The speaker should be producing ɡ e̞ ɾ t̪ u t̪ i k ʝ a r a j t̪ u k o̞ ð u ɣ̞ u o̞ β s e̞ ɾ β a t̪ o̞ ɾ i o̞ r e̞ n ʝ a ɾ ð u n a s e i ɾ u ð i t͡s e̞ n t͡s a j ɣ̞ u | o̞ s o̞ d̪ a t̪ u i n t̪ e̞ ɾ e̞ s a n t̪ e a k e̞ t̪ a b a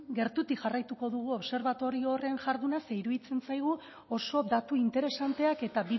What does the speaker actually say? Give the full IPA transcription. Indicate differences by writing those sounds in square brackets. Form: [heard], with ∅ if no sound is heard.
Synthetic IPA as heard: ɡ e̞ ɾ t̪ u t̪ i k ʝ a r a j t̪ u k o̞ ð u ɣ̞ u o̞ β s e̞ ɾ β a t̪ o̞ ɾ i o̞ r e̞ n ʝ a ɾ ð u n a s e i ɾ u ð i t͡s e̞ n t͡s a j ɣ̞ u | o̞ s o̞ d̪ a t̪ u i n t̪ e̞ ɾ e̞ s a n t̪ e a k e̞ t̪ a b [i]